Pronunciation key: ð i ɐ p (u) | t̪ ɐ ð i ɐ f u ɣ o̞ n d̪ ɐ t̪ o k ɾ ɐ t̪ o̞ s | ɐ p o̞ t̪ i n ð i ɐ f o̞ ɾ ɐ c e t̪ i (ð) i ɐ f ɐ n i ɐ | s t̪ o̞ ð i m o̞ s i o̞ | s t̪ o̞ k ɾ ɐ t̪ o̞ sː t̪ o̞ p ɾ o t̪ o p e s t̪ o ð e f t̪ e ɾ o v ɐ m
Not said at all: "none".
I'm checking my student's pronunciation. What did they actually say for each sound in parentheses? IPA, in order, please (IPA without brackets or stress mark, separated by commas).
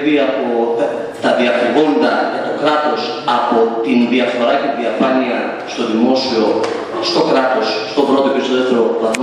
o, ð